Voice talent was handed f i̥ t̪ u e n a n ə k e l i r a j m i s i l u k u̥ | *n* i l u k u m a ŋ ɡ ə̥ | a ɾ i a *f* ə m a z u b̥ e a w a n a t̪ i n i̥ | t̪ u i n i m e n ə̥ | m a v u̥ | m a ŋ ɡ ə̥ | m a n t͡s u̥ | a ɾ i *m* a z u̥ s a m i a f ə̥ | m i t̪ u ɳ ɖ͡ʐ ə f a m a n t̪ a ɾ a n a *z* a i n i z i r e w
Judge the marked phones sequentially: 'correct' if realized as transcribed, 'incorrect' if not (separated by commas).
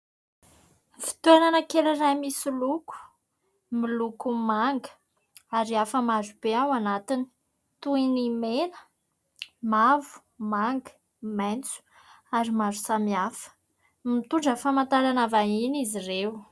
incorrect, correct, correct, incorrect